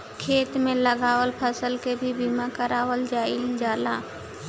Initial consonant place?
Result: velar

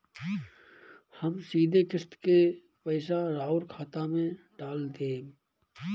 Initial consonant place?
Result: glottal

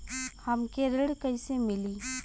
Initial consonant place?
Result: glottal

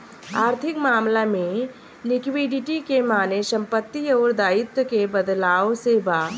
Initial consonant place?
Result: alveolar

